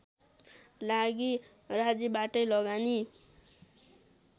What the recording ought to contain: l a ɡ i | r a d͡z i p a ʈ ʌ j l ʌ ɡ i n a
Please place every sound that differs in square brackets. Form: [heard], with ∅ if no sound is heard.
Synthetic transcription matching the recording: l a ɡ i | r a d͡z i [b] a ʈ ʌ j l ʌ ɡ [a] n [i]